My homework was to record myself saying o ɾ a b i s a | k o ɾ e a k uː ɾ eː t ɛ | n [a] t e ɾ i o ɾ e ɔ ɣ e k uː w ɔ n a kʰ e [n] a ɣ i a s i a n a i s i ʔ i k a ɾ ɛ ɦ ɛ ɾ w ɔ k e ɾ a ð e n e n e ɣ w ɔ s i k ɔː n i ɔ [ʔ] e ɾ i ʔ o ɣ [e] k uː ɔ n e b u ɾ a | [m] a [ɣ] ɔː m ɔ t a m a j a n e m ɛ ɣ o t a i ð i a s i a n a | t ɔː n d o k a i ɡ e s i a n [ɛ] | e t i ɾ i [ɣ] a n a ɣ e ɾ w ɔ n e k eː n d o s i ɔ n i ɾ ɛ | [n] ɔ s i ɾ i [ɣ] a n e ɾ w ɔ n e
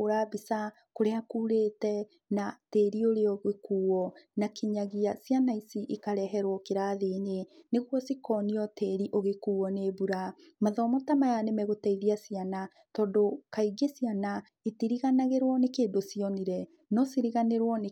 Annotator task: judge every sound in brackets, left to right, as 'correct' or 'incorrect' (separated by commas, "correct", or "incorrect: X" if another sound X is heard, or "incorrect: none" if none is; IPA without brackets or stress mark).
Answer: correct, incorrect: ɲ, incorrect: t, correct, correct, incorrect: ð, incorrect: a, correct, correct, correct